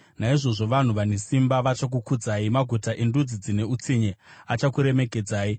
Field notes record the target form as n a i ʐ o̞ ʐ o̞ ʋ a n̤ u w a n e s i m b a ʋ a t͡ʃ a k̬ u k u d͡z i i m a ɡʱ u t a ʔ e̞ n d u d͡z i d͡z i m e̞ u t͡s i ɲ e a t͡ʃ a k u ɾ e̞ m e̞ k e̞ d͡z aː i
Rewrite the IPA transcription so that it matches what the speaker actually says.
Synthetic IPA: n a i ʐ o̞ ʐ o̞ ʋ a n̤ u ʋ a n e s i m b a ʋ a t͡ʃ a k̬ u k u d͡z a i m a ɡʱ u t a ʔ e̞ n d u d͡z i d͡z i n e̞ u t͡s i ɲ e a t͡ʃ a k u ɾ e̞ m e̞ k e̞ d͡z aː i